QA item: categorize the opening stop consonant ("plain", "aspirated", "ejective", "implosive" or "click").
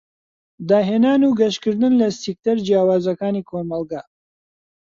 plain